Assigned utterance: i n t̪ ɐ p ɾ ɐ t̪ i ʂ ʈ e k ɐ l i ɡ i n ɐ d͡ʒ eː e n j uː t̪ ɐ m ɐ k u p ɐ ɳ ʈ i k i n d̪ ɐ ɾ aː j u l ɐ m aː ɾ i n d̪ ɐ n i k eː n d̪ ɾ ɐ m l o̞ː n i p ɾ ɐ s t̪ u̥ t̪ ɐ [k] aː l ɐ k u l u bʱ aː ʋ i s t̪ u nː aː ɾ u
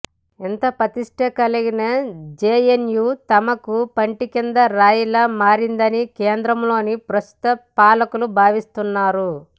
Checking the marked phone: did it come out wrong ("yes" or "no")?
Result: yes